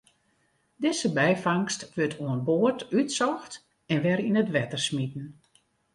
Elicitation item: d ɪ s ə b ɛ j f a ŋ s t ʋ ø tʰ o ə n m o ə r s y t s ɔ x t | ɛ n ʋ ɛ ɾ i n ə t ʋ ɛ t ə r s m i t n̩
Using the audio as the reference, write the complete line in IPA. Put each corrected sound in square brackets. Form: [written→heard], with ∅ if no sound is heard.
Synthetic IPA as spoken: d ɪ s ə b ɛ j f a ŋ s t ʋ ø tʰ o ə n [m→b] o ə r [s→t] y t s ɔ x t | ɛ n ʋ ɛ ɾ i n ə t ʋ ɛ t ə r s m i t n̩

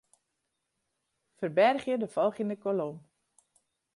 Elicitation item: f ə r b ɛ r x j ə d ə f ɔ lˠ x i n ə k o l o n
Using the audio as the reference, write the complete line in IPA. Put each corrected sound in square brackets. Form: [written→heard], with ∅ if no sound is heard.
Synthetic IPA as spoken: f ə r b ɛ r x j ə d ə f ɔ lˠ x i n ə k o l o [n→m]

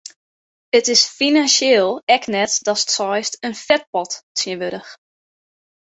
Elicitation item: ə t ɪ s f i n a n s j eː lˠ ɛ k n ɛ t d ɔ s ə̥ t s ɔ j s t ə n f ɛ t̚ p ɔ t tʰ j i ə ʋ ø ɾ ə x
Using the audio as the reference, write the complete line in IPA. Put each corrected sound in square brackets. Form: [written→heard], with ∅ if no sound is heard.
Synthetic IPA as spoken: ə t ɪ s f i n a n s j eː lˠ ɛ k n ɛ t d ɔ s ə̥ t s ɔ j s t ə n f ɛ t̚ p ɔ t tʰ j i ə ʋ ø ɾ ə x

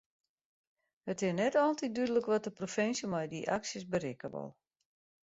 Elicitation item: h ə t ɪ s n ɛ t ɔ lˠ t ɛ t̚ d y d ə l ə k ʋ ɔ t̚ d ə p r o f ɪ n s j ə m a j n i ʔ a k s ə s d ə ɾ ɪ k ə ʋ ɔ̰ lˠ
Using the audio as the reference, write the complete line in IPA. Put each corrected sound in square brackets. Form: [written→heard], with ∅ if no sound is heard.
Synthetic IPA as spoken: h ə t ɪ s n ɛ t ɔ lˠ t [ɛ→i] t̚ d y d ə l ə k ʋ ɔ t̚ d ə p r o f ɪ n s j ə m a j [n→d] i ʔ a k s ə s [d→b] ə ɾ ɪ k ə ʋ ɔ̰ lˠ

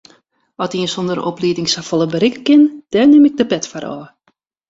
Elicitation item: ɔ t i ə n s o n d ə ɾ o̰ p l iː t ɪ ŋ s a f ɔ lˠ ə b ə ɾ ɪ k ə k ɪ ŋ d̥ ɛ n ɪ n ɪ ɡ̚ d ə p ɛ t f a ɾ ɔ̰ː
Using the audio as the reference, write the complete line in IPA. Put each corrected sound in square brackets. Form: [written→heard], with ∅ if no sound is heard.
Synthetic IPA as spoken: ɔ t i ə n s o n d ə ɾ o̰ p l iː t ɪ ŋ s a f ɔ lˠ ə b ə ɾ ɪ k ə k ɪ [ŋ→n] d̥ ɛ n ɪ [n→m] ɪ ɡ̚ d ə p ɛ t f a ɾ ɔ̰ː

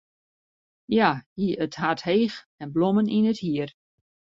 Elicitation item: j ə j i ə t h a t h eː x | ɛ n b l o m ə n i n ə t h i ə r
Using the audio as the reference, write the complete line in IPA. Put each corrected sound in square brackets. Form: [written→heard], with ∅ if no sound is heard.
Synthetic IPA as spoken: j [ə→a] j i ə t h a t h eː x | ɛ n b l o m ə n i n ə t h i ə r

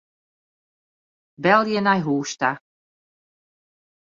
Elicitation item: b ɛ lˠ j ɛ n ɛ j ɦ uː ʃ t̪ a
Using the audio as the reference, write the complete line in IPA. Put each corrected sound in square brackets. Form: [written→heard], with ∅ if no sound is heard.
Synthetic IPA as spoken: b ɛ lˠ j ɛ n [ɛ→a] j ɦ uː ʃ t̪ a

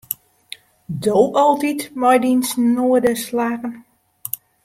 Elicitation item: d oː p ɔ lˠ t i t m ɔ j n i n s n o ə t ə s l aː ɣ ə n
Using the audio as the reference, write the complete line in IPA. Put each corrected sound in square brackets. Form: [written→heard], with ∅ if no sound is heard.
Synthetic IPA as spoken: d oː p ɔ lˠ t i t m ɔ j [n→d] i n s n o ə [t→d] ə s l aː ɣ ə n

